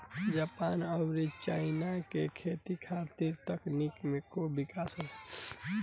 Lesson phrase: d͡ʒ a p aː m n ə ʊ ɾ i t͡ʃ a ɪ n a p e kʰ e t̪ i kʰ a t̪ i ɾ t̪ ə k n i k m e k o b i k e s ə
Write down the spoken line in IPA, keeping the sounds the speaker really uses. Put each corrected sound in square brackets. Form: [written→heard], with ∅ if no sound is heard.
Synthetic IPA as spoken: d͡ʒ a p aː [m→∅] n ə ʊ ɾ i t͡ʃ a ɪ n a [p→k] e kʰ e t̪ i kʰ a t̪ i ɾ t̪ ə k n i k m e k o b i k [e→a] s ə